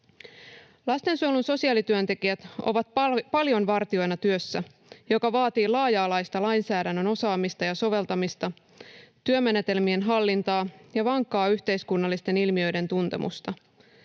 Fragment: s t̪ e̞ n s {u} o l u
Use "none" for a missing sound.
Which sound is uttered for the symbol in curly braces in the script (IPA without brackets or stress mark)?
u